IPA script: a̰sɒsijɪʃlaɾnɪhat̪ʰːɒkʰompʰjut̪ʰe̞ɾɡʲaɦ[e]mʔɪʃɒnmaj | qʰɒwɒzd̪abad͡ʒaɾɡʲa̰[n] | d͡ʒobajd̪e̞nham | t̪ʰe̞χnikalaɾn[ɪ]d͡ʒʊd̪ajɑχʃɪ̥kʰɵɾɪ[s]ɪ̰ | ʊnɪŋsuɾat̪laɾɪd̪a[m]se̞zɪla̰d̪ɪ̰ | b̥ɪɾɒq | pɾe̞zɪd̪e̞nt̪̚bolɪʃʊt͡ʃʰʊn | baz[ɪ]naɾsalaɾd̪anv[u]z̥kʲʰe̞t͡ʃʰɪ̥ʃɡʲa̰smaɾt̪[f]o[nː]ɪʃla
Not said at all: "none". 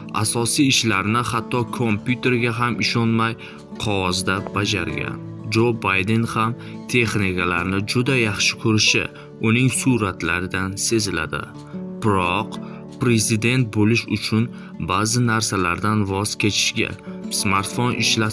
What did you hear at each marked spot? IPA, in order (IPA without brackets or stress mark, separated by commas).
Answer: a, n, ɪ, ʃ, n, ɪ, ɒ, f, n